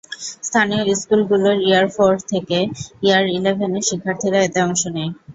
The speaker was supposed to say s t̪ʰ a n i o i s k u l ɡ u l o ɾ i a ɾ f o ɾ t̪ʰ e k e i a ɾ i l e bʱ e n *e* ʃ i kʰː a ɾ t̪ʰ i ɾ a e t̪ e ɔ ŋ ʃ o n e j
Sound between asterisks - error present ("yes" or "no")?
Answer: no